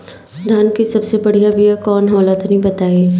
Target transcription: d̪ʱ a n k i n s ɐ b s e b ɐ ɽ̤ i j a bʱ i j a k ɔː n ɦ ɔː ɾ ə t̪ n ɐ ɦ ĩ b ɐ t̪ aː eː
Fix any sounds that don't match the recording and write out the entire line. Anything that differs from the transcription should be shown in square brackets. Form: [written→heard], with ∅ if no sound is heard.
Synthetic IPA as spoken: d̪ʱ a n k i [n→∅] s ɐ b s e b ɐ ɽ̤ i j a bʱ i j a k ɔː n ɦ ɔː [ɾ→l] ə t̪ n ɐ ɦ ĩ b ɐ t̪ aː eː